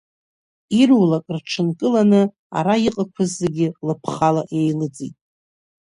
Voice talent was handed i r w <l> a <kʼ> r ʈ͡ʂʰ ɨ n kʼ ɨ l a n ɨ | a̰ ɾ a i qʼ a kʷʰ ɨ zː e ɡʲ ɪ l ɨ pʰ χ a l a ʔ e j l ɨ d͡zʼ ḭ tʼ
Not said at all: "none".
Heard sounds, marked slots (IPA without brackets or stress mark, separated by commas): l, kʼ